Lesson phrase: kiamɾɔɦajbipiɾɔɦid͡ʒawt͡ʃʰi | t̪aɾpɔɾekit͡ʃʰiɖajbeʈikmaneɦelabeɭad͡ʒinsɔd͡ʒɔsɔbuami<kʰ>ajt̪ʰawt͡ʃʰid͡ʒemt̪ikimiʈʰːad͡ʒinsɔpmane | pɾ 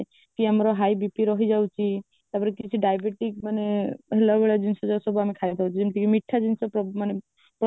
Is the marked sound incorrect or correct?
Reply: correct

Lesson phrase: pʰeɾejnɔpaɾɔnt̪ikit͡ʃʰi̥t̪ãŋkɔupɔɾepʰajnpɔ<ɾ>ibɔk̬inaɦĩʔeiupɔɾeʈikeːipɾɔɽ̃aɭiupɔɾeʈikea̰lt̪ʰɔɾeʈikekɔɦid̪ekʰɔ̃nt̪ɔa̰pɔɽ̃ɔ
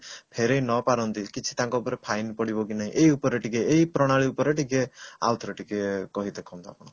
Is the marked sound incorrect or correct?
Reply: incorrect: ɽ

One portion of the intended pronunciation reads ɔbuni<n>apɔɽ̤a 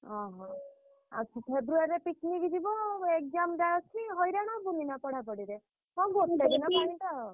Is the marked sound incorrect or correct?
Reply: correct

